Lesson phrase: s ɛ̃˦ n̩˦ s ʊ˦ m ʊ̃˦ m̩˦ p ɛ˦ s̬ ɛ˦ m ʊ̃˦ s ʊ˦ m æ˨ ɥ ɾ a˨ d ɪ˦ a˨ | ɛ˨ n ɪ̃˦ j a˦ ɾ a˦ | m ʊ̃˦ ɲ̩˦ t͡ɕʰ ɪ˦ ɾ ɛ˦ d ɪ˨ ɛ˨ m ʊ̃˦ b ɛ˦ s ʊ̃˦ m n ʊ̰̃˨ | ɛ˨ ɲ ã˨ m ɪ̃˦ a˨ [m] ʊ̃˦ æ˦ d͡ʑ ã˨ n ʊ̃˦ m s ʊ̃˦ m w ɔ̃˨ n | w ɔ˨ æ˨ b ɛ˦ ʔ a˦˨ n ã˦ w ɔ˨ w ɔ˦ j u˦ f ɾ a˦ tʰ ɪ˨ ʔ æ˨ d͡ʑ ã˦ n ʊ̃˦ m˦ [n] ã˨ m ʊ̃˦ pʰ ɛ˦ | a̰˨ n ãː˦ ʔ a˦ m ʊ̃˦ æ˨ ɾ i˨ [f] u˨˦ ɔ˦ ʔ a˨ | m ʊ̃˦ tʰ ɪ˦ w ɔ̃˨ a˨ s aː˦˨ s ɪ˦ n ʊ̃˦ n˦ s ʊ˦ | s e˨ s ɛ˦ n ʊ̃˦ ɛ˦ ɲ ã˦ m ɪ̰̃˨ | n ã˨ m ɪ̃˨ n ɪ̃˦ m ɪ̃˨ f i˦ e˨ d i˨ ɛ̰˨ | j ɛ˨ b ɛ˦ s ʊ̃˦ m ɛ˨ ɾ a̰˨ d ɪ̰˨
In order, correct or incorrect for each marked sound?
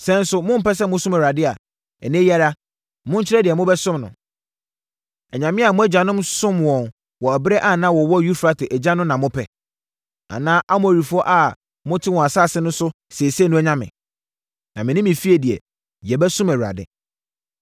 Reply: correct, correct, correct

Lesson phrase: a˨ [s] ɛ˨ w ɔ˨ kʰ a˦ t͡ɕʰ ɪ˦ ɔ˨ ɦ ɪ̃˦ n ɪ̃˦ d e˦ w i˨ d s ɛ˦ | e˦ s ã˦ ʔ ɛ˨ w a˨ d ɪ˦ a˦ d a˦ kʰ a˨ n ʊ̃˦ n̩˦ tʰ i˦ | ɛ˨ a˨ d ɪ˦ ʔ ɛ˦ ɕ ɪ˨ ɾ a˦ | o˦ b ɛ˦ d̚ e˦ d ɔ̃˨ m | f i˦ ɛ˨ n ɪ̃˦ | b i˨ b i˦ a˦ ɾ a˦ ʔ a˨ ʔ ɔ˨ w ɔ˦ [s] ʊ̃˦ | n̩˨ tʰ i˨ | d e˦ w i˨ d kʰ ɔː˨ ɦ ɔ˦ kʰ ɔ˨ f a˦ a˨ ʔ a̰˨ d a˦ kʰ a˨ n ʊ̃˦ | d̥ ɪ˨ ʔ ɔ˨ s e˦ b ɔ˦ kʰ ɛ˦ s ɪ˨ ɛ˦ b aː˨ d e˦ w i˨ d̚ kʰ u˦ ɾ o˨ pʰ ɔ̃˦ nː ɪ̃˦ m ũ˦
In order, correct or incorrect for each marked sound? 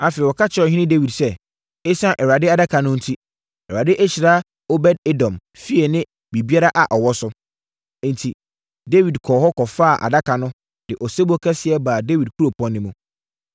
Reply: incorrect: f, correct

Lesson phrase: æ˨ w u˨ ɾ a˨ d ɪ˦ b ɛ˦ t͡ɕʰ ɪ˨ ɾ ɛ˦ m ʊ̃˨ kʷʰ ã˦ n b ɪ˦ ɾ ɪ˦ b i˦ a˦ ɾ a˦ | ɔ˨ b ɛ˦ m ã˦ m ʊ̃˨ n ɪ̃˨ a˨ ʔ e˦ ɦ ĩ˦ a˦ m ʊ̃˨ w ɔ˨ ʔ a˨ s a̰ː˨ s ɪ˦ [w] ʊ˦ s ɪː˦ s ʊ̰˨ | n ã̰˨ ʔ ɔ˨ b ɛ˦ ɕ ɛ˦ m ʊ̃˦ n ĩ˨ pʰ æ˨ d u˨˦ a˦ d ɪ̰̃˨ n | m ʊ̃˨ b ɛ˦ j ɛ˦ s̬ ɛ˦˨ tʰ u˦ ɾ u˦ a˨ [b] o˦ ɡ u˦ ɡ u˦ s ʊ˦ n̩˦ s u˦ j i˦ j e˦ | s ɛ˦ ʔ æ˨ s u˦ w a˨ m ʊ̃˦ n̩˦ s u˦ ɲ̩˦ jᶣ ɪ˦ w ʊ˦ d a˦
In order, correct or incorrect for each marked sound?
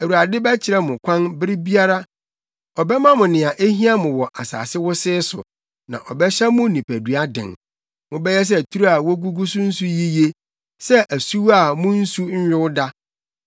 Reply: correct, incorrect: w

